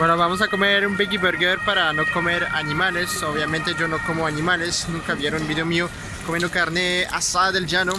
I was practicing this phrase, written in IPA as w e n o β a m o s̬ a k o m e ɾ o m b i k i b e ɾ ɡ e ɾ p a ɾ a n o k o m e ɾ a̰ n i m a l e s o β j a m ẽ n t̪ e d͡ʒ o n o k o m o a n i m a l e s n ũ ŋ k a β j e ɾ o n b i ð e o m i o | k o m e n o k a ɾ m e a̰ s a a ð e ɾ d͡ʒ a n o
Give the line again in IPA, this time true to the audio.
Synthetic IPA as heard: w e n o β a m o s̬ a k o m e ɾ u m b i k i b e ɾ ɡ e ɾ p a ɾ a n o k o m e ɾ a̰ n i m a l e s o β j a m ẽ n t̪ e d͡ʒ o n o k o m o a n i m a l e s n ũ ŋ k a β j e ɾ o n b i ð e o m i o | k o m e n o k a ɾ n e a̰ s a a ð e l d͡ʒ a n o

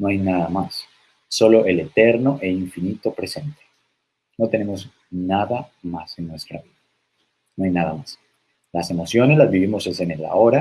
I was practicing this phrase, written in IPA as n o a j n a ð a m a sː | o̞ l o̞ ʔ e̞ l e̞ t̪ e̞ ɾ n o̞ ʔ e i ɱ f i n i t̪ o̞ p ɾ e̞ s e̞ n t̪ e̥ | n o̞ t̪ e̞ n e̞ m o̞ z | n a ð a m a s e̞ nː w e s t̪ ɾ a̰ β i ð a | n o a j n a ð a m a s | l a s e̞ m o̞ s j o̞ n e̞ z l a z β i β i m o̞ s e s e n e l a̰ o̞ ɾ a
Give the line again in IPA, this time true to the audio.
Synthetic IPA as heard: n o a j n a ð a m a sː | o̞ l o̞ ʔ e̞ l e̞ t̪ e̞ ɾ n o̞ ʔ e i ɱ f i n i t̪ o̞ p ɾ e̞ s e̞ n t̪ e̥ | n o̞ t̪ e̞ n e̞ m o̞ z | n a ð a m a s e̞ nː w e s t̪ ɾ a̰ β i ð a | n o a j n a ð a m a s | l a s e̞ m o̞ s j o̞ n e̞ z l a z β i β i m o̞ s e s e n e l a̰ o̞ ɾ a

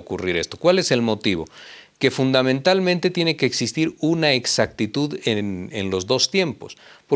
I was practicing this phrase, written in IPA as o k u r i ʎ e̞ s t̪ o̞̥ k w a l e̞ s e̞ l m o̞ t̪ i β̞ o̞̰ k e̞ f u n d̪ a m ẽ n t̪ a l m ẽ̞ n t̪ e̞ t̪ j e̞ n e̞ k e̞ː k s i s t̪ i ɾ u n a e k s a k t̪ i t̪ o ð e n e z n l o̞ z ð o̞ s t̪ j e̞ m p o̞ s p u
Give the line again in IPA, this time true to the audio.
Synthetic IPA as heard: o k u r i ɾ e̞ s t̪ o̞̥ k w a l e̞ s e̞ l m o̞ t̪ i β̞ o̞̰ k e̞ f u n d̪ a m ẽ n t̪ a l m ẽ̞ n t̪ e̞ t̪ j e̞ n e̞ k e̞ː k s i s t̪ i ɾ u n a e k s a k t̪ i t̪ u ð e n e n l o̞ z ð o̞ s t̪ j e̞ m p o̞ s p o

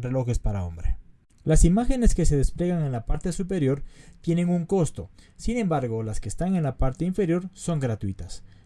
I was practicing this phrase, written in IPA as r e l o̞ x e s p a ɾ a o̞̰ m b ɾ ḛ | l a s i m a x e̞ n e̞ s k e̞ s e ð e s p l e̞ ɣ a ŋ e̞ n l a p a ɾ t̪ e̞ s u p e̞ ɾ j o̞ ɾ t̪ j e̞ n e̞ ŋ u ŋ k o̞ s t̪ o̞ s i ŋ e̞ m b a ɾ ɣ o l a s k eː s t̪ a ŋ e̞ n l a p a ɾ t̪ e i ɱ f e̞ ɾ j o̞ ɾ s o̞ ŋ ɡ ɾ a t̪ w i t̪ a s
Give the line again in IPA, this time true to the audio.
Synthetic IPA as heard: r e l o̞ x e s p a ɾ a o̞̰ m b ɾ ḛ | l a s i m a x e̞ n e̞ s k e̞ s e ð e s p l e̞ ɣ a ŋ e̞ n l a p a ɾ t̪ e̞ s u p e̞ ɾ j o̞ ɾ t̪ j e̞ n e̞ ŋ u ŋ k o̞ s t̪ o̞ s i n e̞ m b a ɾ ɣ o l a s k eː s t̪ a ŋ e̞ n l a p a ɾ t̪ e i ɱ f e̞ ɾ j o̞ ɾ s o̞ ŋ ɡ ɾ a t̪ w i t̪ a s

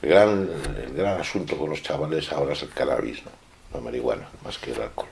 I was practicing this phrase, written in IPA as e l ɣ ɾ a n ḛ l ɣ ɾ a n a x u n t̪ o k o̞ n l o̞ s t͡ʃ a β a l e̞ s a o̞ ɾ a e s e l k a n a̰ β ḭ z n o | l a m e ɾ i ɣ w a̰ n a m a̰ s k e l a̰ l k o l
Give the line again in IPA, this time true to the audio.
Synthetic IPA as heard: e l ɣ ɾ a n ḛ l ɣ ɾ a n a s u n t̪ o k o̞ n l o̞ s t͡ʃ a β a l e̞ s a o̞ ɾ a e s e l k a n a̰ β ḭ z n o | l a m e ɾ i ɣ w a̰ n a m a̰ s k e l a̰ l k o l

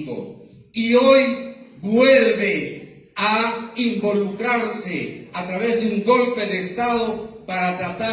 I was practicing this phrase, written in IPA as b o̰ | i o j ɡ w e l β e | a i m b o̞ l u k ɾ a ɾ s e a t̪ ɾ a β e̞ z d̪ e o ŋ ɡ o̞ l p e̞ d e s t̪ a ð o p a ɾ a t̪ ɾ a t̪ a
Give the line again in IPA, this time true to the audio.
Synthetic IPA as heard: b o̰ | i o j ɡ w e l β e | a i m b o̞ l u k ɾ a ɾ s e a t̪ ɾ a β e̞ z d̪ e u ŋ ɡ o̞ l p e̞ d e s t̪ a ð o p a ɾ a t̪ ɾ a t̪ a

